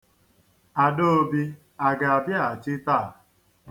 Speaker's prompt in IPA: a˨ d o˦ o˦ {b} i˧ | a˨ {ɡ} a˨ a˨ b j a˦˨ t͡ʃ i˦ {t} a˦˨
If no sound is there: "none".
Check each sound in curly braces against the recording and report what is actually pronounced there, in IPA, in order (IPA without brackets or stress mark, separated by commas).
b, ɡ, t